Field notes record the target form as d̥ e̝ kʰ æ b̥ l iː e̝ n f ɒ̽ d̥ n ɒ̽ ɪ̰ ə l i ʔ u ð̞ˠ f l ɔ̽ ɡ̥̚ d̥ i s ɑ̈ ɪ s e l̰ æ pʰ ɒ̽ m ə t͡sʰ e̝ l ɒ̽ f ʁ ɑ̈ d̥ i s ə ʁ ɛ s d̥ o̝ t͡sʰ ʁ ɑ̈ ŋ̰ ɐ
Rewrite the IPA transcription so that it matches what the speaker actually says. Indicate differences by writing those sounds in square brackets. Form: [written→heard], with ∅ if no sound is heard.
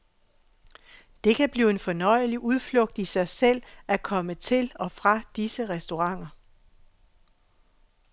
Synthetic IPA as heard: d̥ e̝ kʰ æ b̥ l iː e̝ n f ɒ̽ [d̥→∅] n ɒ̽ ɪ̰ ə l i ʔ u ð̞ˠ f l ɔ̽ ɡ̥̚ d̥ i s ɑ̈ ɪ s e l̰ æ [pʰ→kʰ] ɒ̽ m ə t͡sʰ e̝ l ɒ̽ f ʁ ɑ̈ d̥ i s ə ʁ ɛ s d̥ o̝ [t͡sʰ→∅] ʁ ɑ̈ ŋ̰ ɐ